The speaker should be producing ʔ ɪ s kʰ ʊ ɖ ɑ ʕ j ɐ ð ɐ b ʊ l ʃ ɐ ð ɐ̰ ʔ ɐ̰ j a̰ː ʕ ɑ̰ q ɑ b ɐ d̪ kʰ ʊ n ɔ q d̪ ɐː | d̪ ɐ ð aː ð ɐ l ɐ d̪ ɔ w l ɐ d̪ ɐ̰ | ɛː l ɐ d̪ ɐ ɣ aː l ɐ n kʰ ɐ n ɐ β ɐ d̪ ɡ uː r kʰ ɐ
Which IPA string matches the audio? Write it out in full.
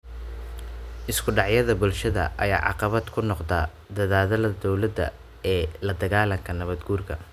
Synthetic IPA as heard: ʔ ɪ s kʰ ʊ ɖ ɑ ʕ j ɐ ð ɐ b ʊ l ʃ ɐ ð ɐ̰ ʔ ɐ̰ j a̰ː ʕ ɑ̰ q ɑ β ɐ d̪ kʰ ʊ n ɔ q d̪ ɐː | d̪ ɐ ð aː ð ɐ l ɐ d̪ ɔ w l ɐ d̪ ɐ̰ | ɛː l ɐ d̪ ɐ ɣ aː l ɐ ŋ kʰ ɐ n ɐ β ɐ d̪ ɡ uː r kʰ ɐ